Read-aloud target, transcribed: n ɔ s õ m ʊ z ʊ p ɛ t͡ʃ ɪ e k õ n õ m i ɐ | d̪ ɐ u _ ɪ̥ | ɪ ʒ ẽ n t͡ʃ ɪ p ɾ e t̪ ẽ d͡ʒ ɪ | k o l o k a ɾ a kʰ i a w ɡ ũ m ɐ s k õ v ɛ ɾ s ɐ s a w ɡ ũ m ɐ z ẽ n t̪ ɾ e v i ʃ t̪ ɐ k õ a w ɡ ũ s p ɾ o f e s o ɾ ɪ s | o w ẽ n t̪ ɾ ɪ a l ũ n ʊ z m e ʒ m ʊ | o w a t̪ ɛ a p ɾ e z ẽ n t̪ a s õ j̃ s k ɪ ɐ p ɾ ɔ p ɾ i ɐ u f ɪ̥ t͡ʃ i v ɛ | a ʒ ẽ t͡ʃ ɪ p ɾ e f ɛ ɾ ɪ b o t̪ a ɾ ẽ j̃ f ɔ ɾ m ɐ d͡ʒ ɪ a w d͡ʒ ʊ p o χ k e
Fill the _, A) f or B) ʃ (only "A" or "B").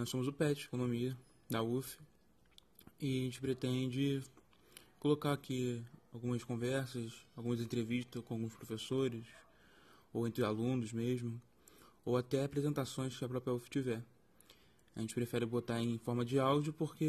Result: A